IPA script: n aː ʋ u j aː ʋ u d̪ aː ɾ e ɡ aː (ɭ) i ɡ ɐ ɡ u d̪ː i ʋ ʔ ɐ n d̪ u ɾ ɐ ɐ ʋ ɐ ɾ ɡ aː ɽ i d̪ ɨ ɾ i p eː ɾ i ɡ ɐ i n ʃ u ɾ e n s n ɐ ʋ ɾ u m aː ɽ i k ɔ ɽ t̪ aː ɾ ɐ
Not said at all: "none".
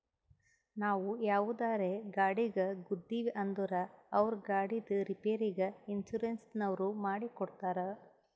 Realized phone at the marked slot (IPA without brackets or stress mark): ɽ